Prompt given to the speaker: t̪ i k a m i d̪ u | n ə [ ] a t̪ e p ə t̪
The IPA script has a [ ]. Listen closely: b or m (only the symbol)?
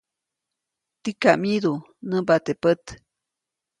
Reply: b